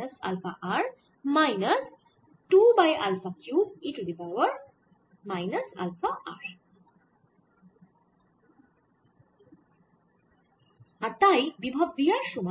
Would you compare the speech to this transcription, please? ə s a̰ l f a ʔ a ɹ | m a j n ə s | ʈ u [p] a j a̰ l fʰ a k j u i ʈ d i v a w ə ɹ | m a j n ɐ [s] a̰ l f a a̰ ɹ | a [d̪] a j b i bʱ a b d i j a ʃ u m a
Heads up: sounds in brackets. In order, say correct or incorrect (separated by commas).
incorrect, correct, incorrect